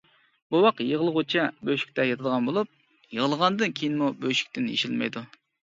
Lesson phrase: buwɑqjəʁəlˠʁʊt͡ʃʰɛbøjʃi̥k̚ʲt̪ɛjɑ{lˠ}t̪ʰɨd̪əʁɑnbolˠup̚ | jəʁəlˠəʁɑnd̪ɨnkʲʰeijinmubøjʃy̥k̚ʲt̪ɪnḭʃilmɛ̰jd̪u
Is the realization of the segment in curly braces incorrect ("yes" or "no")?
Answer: yes